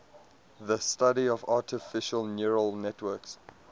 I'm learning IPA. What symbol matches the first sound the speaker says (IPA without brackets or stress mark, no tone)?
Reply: ð